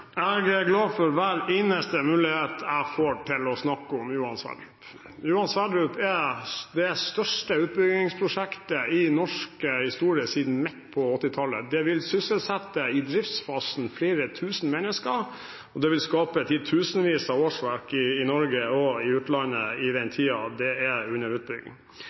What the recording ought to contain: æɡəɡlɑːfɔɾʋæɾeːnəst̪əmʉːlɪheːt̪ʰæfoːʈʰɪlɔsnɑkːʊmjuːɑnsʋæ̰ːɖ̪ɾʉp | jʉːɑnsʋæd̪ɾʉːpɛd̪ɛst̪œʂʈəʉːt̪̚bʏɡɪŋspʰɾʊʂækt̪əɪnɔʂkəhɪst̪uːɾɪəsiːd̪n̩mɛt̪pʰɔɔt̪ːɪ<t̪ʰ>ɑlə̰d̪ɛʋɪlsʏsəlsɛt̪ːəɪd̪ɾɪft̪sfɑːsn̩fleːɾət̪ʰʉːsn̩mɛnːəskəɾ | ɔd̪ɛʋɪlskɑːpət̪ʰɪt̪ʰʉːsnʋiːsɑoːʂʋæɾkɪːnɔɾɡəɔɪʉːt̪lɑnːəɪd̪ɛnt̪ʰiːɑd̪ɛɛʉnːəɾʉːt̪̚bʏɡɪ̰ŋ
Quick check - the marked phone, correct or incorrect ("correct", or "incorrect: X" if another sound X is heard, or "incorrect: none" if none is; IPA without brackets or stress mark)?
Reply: correct